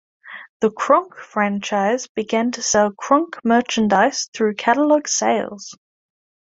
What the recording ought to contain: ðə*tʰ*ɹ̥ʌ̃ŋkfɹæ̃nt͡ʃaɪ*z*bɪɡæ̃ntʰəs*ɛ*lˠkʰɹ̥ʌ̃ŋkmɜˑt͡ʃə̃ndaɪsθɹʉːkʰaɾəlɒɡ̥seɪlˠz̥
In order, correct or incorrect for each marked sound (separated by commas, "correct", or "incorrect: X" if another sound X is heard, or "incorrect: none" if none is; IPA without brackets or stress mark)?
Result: incorrect: kʰ, correct, correct